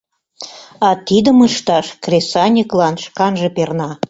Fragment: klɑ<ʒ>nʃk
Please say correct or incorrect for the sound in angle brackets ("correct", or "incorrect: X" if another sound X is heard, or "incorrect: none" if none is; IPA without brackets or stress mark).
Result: incorrect: none